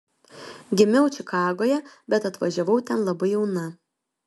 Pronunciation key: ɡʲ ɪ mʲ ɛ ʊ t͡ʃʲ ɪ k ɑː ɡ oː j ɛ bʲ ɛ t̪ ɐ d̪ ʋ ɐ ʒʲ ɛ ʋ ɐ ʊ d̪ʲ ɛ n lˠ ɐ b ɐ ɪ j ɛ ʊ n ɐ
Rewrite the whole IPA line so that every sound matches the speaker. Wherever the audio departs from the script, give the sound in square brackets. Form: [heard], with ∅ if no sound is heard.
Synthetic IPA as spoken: ɡʲ ɪ mʲ ɛ ʊ t͡ʃʲ ɪ k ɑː ɡ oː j ɛ bʲ ɛ t̪ ɐ [t̪] ʋ ɐ ʒʲ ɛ ʋ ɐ ʊ [t̪ʲ] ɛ n lˠ ɐ b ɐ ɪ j ɛ ʊ n ɐ